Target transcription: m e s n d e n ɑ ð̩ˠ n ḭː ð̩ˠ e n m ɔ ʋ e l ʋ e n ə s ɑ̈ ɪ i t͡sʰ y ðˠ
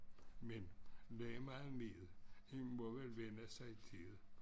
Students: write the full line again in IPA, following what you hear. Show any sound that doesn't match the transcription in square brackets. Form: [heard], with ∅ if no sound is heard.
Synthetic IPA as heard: m e [∅] n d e [m] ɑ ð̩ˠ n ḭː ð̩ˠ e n m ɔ ʋ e l ʋ e n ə s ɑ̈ ɪ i t͡sʰ [i] ðˠ